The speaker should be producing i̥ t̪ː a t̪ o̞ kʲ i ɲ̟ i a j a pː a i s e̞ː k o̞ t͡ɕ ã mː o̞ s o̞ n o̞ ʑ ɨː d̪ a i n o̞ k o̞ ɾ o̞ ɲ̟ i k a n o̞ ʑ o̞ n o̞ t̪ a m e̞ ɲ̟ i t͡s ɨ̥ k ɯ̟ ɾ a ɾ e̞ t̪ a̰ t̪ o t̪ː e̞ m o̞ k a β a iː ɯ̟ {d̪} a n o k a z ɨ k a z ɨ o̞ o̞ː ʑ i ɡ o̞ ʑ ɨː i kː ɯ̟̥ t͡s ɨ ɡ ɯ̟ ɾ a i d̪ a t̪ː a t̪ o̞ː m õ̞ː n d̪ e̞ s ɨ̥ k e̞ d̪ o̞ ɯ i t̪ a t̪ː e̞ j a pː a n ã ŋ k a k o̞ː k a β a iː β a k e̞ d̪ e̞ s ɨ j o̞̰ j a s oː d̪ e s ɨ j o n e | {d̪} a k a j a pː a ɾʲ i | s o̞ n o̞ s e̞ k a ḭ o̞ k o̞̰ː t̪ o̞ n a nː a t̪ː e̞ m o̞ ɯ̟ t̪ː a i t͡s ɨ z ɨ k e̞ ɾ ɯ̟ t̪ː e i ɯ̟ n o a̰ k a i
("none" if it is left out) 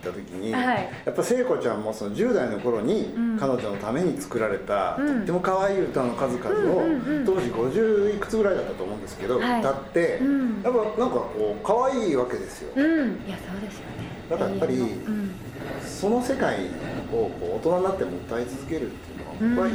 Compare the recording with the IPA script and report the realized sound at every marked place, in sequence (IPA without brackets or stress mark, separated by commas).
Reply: t̪, d̪